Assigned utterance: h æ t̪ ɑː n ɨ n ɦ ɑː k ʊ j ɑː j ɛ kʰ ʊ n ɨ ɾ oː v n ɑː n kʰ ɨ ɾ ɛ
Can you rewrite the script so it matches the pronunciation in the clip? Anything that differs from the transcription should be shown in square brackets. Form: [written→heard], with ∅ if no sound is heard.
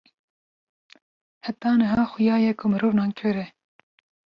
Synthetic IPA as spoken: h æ t̪ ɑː n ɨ [n→∅] ɦ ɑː [k→x] ʊ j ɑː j ɛ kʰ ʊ [n→m] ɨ ɾ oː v n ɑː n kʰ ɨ ɾ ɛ